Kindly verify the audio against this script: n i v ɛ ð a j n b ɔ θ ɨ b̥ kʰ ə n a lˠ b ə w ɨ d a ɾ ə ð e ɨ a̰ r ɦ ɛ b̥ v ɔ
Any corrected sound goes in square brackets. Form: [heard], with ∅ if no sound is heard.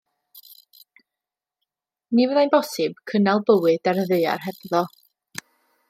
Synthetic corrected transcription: n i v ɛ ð a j n b ɔ [s] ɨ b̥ kʰ ə n a lˠ b ə w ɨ d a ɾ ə ð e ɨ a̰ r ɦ ɛ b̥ [ð] ɔ